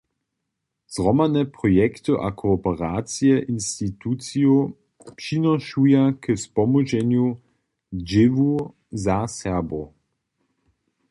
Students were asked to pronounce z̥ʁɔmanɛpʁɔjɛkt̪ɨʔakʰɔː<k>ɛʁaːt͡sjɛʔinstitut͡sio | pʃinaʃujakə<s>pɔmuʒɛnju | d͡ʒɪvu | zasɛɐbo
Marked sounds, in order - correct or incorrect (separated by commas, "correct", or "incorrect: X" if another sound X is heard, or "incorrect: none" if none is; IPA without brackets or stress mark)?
incorrect: p, correct